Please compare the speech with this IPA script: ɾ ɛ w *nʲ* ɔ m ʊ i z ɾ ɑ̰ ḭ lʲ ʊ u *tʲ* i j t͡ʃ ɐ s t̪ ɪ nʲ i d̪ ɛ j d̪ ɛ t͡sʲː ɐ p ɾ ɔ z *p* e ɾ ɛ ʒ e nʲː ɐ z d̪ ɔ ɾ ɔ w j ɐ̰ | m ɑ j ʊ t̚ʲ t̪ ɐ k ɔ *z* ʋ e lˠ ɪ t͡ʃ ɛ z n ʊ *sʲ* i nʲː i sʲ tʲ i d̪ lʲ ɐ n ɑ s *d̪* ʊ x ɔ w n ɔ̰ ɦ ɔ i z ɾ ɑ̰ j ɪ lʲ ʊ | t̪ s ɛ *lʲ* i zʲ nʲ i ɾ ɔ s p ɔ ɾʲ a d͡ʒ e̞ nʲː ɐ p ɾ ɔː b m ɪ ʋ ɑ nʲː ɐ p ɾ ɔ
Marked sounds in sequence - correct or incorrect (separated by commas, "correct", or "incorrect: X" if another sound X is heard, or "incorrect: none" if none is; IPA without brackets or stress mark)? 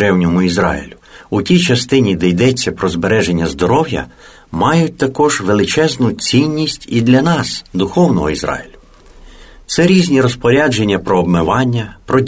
correct, correct, incorrect: b, incorrect: ʒ, incorrect: t͡sʲ, correct, incorrect: ɾʲ